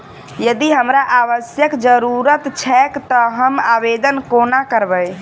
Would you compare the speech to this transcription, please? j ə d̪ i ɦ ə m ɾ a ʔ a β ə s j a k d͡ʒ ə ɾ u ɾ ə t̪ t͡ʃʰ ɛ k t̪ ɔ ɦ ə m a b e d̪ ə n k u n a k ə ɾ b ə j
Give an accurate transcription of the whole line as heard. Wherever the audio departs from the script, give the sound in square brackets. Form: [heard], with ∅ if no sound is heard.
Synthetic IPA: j ə d̪ i ɦ ə m ɾ a ʔ a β ə s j [ə] k d͡ʒ ə ɾ u ɾ ə t̪ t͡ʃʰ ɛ k t̪ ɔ ɦ ə m a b e d̪ ə n k [o] n a k ə ɾ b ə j